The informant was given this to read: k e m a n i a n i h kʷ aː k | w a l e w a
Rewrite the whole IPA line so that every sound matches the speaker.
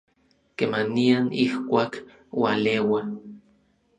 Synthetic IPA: k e m a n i a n i h kʷ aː k | w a l e w a